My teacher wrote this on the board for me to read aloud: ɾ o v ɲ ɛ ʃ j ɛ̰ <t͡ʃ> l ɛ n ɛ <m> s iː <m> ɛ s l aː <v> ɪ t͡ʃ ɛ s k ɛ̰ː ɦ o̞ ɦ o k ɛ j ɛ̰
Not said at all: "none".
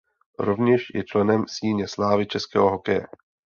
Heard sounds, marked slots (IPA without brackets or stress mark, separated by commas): t͡ʃ, m, ɲ, v